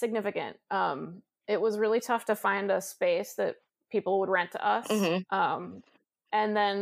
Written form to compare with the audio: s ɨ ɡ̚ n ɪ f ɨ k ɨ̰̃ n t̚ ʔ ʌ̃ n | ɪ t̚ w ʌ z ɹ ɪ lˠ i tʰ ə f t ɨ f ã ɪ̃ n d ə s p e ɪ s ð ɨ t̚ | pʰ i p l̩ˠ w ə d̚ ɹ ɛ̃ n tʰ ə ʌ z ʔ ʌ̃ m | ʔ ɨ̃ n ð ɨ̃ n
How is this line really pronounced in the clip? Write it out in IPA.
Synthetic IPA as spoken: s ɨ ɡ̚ n ɪ f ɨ k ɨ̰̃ n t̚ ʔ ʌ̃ m | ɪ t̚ w ʌ z ɹ ɪ lˠ i tʰ ʌ f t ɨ f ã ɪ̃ n d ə s p e ɪ s ð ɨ t̚ | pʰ i p l̩ˠ w ə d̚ ɹ ɛ̃ n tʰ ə ʌ s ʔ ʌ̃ m | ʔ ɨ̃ n ð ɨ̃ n